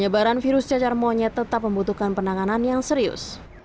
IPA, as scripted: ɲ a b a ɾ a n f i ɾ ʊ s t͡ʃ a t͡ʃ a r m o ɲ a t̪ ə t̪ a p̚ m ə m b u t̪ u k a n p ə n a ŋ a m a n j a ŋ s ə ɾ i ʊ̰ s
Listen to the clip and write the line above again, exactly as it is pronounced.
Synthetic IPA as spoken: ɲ ə b a ɾ a n f i ɾ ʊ s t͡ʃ a t͡ʃ a r m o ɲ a t̪ ə t̪ a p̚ m ə m b u t̪ u k a n p ə n a ŋ a n a n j a ŋ s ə ɾ i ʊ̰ s